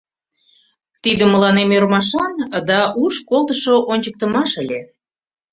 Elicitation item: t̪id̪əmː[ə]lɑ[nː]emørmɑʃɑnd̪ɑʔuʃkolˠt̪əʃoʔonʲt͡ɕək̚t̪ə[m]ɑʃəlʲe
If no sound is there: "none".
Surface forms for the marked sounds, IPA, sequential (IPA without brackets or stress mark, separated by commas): ə, n, m